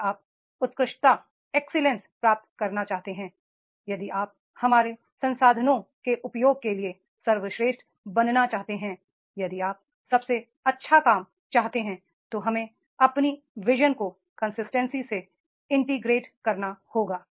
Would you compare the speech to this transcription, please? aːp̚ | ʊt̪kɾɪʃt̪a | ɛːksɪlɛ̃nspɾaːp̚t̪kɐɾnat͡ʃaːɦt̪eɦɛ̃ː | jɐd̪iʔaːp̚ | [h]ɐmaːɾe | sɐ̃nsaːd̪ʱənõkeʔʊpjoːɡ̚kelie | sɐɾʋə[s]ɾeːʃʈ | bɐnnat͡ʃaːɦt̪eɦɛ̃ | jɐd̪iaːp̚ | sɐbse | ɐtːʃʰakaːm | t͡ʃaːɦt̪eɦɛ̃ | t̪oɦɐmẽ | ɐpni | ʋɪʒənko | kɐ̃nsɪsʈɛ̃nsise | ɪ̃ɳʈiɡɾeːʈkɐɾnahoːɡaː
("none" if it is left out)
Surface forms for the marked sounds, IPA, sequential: h, ʃ

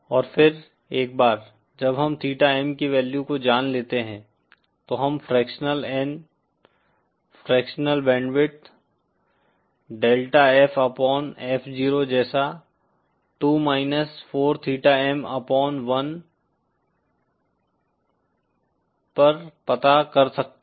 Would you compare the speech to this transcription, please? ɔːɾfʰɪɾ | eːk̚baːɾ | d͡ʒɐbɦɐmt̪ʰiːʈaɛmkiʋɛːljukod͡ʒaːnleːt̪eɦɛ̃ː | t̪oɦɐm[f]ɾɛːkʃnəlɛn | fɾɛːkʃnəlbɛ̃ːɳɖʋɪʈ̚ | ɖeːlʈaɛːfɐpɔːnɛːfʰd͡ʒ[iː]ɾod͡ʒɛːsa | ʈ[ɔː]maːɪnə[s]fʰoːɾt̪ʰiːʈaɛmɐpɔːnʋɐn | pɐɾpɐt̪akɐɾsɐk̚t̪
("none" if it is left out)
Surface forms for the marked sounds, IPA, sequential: f, iː, uː, s

